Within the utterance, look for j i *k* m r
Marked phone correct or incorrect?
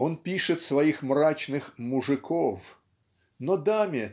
incorrect